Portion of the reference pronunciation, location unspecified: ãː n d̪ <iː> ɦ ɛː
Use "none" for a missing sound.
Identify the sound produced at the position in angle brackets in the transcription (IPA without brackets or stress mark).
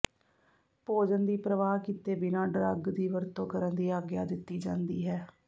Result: iː